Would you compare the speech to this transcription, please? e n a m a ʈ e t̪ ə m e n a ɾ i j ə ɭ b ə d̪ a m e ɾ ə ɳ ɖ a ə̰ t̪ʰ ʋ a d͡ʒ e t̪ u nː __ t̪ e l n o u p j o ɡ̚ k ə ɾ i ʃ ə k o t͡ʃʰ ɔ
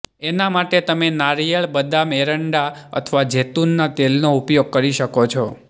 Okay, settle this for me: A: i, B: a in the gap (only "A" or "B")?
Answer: B